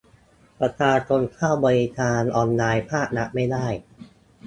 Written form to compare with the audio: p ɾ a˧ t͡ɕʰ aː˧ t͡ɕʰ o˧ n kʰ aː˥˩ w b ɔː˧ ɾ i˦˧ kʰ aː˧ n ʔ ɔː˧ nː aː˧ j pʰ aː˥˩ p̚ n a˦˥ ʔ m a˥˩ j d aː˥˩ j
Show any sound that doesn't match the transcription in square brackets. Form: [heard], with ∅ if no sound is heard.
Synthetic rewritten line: p ɾ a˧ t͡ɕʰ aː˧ t͡ɕʰ o˧ n kʰ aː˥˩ w b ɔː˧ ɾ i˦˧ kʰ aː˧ n ʔ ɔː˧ nː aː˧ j pʰ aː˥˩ [k̚] n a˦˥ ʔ m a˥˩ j d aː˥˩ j